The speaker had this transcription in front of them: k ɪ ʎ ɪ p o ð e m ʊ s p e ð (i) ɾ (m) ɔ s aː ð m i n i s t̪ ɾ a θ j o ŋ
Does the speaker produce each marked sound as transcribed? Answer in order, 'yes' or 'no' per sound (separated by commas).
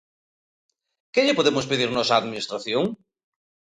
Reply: yes, no